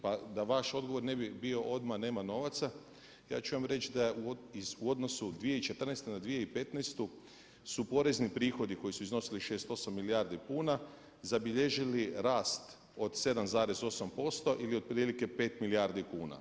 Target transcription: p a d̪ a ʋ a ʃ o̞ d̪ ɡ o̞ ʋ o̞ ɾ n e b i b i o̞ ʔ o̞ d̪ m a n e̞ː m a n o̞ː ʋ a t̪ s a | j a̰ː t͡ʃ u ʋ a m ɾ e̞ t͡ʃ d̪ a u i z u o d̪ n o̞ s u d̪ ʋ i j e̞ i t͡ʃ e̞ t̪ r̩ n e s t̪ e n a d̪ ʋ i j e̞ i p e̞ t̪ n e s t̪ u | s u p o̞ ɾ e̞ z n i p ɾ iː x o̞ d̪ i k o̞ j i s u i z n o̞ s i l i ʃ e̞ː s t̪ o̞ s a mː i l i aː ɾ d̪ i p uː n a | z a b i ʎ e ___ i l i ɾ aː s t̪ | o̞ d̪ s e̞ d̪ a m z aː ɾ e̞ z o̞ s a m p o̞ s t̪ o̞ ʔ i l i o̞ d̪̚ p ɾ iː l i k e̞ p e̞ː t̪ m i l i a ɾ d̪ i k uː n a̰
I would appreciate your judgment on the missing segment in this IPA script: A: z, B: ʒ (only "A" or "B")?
B